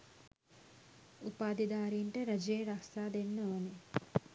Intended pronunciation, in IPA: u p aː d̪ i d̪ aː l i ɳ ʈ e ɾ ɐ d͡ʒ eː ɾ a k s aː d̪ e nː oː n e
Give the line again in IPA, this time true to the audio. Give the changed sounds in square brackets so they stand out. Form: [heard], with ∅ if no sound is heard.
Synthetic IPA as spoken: u p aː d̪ i d̪ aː [ɾ] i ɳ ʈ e ɾ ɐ d͡ʒ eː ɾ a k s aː d̪ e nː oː n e